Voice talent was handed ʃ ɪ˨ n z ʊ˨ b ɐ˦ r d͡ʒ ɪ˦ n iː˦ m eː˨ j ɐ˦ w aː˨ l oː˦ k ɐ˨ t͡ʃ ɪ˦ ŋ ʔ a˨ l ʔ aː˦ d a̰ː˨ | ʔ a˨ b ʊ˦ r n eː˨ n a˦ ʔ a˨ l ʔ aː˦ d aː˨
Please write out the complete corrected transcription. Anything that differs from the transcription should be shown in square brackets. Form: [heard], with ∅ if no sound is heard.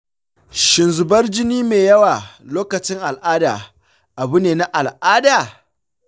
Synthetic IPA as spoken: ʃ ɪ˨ n z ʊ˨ b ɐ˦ r d͡ʒ ɪ˦ n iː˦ m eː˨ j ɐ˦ w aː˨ l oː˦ k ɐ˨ t͡ʃ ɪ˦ ŋ ʔ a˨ l ʔ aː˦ d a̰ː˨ | ʔ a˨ b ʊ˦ [∅] n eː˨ n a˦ ʔ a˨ l ʔ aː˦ d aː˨